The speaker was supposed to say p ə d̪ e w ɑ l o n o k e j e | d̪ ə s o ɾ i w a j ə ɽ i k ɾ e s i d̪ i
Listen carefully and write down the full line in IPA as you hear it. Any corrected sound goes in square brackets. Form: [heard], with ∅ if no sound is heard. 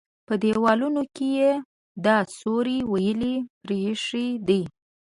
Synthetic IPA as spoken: p ə d̪ e w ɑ l [u] n o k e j e | d̪ [ɑ] s o ɾ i w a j ə [l] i [p] ɾ e [ʂ] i d̪ i